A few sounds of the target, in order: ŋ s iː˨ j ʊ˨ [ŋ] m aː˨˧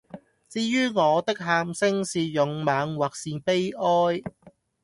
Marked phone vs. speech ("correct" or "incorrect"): correct